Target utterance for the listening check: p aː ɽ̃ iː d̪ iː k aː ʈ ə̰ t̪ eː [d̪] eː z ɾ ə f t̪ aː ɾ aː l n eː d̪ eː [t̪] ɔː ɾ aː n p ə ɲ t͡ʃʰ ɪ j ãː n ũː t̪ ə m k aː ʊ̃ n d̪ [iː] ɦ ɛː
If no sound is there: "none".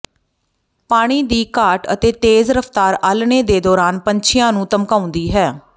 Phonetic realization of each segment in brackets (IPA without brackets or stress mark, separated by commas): t̪, d̪, iː